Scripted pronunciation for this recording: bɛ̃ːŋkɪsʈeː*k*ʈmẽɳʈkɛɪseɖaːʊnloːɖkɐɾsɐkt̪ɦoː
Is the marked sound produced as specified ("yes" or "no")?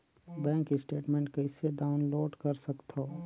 no